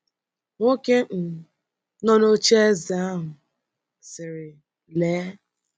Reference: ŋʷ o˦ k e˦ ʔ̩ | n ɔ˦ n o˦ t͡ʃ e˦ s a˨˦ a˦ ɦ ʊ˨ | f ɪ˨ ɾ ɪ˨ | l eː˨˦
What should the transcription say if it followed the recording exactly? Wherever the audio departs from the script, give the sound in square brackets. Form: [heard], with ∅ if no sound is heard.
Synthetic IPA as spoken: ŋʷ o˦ k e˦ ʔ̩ | n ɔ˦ n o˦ t͡ʃ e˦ [z] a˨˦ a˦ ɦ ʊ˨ | [s] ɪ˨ ɾ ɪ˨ | l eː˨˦